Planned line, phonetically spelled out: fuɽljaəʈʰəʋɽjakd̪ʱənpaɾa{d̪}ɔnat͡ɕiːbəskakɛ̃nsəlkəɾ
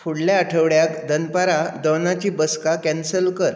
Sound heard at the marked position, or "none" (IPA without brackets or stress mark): d̪